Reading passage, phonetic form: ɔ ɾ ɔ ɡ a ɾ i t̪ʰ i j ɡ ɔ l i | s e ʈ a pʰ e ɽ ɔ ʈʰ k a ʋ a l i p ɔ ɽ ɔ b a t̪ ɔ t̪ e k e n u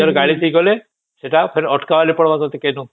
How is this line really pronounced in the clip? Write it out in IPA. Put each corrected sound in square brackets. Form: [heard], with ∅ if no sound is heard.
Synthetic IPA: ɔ ɾ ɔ ɡ a [ɭ] i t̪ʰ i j ɡ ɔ l [e] | s e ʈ a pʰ e [ɾ] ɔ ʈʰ k a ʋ a l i p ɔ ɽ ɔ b a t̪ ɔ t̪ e k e n u

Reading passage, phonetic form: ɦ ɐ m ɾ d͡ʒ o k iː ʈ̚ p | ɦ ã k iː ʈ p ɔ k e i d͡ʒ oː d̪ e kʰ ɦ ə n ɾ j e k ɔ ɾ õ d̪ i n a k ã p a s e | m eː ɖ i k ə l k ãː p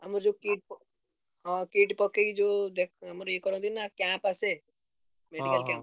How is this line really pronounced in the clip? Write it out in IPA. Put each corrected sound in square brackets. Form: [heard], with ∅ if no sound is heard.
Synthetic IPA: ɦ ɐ m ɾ d͡ʒ o k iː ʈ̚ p | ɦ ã k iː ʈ p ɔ k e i d͡ʒ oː d̪ e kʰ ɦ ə [m] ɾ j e k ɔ ɾ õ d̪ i n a k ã p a s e | m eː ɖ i k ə l k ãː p

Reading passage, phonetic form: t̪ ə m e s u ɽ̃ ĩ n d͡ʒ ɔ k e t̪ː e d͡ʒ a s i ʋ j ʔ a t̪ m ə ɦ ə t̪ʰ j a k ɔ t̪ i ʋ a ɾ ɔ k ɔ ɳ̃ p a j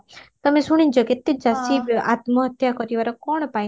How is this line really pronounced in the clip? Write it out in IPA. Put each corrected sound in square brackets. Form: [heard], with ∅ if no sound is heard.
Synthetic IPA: t̪ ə m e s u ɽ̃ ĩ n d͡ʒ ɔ k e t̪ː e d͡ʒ a s i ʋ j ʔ a t̪ m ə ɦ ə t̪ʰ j a k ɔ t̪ i ʋ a ɾ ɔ k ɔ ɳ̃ p a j

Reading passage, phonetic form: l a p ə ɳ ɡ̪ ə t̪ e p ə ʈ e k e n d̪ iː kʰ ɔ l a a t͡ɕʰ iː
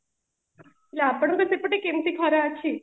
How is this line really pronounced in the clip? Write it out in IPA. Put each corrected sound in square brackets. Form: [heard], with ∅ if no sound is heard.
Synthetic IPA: l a p ə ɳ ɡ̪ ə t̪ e p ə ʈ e k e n [t̪] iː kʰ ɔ [ɾ] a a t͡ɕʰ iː

